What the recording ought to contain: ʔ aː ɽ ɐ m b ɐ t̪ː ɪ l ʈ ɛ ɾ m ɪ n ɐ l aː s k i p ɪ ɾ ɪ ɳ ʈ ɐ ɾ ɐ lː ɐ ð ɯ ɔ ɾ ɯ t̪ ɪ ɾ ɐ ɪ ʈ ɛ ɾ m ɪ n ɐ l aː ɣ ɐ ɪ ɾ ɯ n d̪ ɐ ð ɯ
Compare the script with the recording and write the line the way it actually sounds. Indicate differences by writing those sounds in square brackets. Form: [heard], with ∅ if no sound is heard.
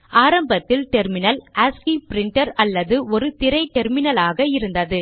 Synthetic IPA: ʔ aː [ɾ] ɐ m b ɐ t̪ː ɪ l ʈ ɛ ɾ m ɪ n ɐ l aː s k i p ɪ ɾ ɪ ɳ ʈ ɐ ɾ ɐ lː ɐ ð ɯ ɔ ɾ ɯ t̪ ɪ ɾ ɐ ɪ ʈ ɛ ɾ m ɪ n ɐ l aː ɣ ɐ ɪ ɾ ɯ n d̪ ɐ ð ɯ